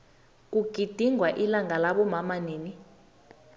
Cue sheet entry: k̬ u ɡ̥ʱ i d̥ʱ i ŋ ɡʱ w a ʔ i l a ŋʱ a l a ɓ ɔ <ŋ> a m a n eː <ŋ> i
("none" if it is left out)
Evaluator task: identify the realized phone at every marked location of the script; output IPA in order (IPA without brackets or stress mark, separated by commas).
m, n